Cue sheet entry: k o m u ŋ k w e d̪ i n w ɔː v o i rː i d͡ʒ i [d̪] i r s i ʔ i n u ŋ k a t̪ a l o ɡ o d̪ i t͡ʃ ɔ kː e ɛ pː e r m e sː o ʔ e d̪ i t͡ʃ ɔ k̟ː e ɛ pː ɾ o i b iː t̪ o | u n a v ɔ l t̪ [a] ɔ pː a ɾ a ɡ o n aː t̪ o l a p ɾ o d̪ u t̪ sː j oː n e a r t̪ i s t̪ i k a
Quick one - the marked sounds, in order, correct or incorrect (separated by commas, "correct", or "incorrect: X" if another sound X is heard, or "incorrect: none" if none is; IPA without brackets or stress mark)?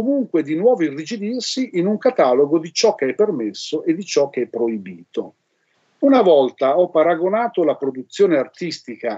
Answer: correct, correct